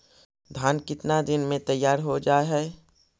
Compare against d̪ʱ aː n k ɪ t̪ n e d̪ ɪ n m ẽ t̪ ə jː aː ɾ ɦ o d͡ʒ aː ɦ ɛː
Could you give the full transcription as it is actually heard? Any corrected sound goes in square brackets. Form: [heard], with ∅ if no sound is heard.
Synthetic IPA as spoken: d̪ʱ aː n k ɪ t̪ n [a] d̪ ɪ n m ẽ t̪ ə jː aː ɾ ɦ o d͡ʒ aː ɦ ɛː